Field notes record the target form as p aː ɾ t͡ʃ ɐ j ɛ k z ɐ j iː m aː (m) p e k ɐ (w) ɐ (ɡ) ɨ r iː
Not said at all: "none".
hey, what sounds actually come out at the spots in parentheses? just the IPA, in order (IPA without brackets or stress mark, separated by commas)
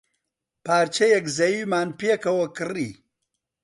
n, w, k